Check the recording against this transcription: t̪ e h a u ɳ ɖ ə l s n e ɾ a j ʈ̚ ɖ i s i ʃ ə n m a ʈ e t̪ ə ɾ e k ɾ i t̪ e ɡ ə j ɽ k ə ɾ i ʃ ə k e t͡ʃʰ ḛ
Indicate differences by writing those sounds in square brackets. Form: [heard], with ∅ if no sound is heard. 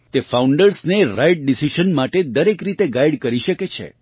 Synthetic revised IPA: t̪ e [f] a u ɳ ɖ ə [ɾ] s n e ɾ a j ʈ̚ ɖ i s i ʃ ə n m a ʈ e [d̪] ə ɾ e k ɾ i t̪ e ɡ [a] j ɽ k ə ɾ i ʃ ə k e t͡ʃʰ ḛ